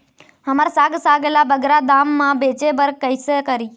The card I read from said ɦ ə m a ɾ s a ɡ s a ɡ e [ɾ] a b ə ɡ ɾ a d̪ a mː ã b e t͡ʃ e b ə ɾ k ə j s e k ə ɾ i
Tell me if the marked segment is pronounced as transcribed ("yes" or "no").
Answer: no